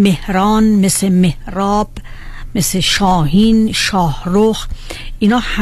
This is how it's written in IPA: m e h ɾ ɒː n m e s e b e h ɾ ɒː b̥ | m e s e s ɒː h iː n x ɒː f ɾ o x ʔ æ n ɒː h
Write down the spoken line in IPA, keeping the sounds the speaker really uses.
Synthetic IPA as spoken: m e h ɾ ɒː n m e s e m e h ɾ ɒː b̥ | m e s e ʃ ɒː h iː n ʃ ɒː h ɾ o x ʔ i n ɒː h